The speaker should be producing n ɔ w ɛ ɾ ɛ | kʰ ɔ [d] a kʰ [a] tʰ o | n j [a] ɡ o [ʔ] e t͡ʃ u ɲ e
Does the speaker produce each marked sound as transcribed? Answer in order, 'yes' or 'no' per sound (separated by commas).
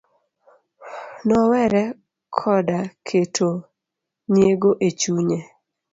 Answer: yes, no, no, yes